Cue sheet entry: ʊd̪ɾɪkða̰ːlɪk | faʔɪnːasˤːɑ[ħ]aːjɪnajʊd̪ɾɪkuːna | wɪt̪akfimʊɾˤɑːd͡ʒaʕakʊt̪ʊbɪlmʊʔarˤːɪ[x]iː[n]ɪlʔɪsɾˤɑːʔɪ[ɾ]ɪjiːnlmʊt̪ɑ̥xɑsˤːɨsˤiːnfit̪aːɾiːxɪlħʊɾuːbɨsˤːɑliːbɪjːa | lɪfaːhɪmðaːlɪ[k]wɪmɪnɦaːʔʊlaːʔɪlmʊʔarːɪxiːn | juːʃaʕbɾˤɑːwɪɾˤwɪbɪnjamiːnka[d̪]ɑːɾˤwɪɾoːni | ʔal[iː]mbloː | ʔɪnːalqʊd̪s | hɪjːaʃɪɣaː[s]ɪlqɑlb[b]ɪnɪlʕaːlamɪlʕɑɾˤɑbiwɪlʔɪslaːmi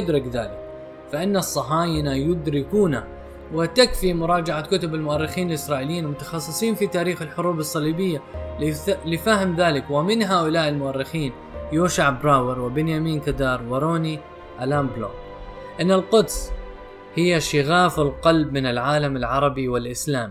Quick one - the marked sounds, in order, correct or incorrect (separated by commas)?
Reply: correct, correct, correct, incorrect, correct, correct, incorrect, incorrect, incorrect